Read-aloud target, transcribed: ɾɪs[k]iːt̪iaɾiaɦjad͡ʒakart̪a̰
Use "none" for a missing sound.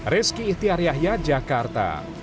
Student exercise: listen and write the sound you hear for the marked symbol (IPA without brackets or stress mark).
k